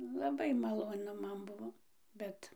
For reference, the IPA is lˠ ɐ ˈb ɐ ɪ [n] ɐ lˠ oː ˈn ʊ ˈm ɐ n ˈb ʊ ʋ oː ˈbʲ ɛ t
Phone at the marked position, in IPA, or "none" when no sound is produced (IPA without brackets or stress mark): m